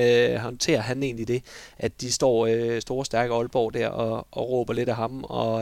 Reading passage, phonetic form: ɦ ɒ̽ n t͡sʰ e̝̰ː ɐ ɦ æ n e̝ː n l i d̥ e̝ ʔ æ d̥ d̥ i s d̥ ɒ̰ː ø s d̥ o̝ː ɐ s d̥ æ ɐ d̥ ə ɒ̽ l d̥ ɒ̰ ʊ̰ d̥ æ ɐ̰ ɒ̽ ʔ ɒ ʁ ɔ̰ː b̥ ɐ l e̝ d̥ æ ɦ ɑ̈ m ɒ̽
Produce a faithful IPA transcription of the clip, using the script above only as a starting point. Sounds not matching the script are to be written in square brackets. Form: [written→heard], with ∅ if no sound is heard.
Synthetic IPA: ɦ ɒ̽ n t͡sʰ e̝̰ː ɐ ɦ æ n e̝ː n l i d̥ e̝ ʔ æ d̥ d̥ i s d̥ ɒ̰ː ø s d̥ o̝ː ɐ s d̥ æ ɐ [d̥→ɡ̥] ə ɒ̽ l [d̥→b̥] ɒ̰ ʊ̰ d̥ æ ɐ̰ ɒ̽ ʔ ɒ ʁ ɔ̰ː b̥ ɐ l e̝ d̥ æ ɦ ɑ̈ m ɒ̽